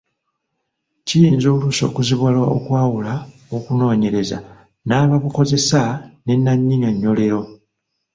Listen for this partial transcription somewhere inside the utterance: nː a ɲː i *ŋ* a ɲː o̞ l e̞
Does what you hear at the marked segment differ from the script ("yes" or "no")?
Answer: no